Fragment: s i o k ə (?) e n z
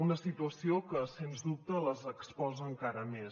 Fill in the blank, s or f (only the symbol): s